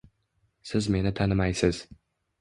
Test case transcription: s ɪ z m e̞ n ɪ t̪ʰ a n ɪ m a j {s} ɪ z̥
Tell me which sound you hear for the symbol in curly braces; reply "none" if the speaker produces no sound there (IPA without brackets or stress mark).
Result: s